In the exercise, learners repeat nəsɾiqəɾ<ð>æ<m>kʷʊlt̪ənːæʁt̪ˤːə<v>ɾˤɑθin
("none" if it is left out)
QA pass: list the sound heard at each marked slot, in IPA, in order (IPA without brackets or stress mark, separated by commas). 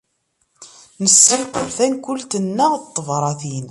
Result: θ, n, v